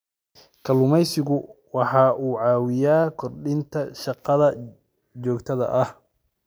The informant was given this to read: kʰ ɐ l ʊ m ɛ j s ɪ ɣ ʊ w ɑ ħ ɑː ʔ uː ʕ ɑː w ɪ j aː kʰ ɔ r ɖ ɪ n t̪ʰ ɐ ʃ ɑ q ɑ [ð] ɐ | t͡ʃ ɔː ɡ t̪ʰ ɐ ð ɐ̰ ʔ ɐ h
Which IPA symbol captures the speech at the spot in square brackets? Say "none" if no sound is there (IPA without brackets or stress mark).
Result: ð